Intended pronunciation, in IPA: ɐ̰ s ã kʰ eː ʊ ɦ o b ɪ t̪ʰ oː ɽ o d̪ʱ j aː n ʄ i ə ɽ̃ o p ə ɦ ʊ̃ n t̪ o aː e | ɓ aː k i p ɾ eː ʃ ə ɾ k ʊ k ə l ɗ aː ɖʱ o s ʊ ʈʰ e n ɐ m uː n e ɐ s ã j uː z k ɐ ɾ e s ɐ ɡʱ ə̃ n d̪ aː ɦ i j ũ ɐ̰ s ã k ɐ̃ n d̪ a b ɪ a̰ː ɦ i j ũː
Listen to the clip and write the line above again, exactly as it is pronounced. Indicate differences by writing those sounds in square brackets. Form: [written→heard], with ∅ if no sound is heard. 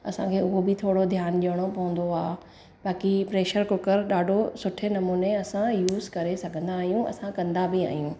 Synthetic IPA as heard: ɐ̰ s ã kʰ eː ʊ ɦ o b ɪ t̪ʰ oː ɽ o d̪ʱ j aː n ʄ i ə ɽ̃ o p [ə→ɐ] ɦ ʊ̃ n [t̪→d̪] o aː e | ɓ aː k i p ɾ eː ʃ ə ɾ k ʊ k ə [l→ɾ] ɗ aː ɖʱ o s ʊ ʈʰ e n ɐ m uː n e ɐ s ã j uː z k ɐ ɾ e s ɐ ɡʱ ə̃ n d̪ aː ɦ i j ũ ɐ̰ s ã k ɐ̃ n d̪ a b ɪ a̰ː ɦ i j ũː